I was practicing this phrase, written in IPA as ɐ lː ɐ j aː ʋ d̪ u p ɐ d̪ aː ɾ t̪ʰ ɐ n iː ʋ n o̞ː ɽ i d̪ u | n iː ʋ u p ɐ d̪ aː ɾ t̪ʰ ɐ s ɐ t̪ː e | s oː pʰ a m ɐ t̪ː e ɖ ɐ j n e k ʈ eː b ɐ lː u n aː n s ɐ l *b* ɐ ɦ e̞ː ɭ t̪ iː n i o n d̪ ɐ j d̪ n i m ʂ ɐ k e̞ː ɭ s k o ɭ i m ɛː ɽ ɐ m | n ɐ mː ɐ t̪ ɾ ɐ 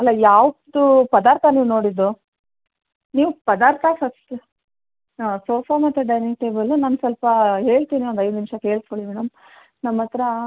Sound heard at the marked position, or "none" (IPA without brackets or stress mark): p